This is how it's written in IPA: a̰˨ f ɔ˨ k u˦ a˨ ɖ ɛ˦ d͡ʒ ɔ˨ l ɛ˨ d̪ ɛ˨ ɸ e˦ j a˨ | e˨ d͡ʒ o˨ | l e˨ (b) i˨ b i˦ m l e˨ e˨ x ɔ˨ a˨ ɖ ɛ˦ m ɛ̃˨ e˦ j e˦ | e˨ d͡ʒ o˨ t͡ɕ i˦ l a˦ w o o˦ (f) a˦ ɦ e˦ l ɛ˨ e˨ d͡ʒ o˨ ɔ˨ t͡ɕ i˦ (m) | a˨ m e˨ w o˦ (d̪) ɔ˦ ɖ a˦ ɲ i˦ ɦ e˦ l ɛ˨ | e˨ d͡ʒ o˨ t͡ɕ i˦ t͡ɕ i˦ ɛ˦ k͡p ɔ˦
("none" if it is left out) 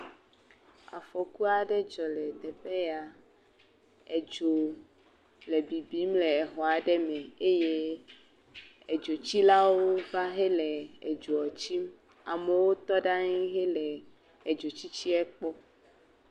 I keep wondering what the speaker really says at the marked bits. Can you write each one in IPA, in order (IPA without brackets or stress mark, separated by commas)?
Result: b, v, m, t̪